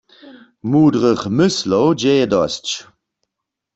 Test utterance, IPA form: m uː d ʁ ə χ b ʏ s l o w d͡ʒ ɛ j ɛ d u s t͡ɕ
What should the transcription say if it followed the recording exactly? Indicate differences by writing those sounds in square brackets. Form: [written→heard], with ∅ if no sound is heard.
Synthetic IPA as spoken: m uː d ʁ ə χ [b→m] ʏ s l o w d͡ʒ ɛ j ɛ d [u→ɔ] s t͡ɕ